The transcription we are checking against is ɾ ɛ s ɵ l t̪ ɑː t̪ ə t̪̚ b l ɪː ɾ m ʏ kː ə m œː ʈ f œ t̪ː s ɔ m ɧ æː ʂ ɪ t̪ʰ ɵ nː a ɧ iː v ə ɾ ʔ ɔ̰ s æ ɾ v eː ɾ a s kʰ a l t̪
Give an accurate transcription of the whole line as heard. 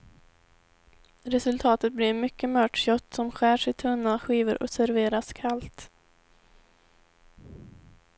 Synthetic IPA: ɾ ɛ s ɵ l t̪ʰ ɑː t̪ ə t̪̚ b l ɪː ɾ m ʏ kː ə m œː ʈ ɕ œ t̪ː s ɔ m ɧ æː ʂ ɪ t̪ʰ ɵ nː a ɧ iː v ə ɾ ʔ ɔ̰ s æ ɾ v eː ɾ a s kʰ a l t̪